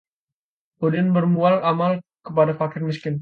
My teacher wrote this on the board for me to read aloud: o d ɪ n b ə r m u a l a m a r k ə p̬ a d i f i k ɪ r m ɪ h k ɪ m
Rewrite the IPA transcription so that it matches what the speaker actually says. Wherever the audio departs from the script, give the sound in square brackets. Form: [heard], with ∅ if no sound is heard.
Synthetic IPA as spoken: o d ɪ n b ə r m u a l a m a [l] k ə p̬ a d [a] f [a] k ɪ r m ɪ [s] k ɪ [n]